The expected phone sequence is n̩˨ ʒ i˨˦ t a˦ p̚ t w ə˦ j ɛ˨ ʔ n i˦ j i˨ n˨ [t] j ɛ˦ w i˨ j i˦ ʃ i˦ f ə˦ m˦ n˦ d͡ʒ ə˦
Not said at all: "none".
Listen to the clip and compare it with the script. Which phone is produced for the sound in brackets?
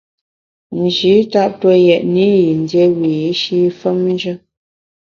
d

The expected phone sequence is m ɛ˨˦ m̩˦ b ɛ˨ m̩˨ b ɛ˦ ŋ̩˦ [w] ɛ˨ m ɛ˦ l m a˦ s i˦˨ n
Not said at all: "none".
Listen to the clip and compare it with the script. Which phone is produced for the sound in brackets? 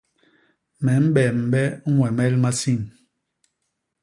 w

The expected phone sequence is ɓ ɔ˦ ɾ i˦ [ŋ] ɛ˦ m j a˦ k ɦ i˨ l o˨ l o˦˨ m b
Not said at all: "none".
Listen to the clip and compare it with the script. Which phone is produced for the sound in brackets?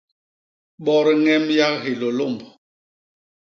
ŋ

